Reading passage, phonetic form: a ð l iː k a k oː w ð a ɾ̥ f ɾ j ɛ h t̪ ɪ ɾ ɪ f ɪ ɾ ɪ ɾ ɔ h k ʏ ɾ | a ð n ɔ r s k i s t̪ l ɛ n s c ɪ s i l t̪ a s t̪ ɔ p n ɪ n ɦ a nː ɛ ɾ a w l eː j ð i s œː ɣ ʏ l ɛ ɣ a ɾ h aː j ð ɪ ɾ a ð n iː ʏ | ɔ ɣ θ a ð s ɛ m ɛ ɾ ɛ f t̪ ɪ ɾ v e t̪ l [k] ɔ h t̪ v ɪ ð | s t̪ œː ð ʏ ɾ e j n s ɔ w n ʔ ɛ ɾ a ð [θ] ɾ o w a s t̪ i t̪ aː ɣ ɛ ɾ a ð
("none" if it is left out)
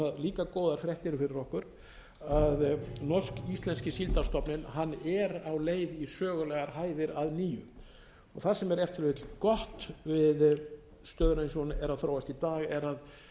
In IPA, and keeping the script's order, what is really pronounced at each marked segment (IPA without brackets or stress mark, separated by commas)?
k, θ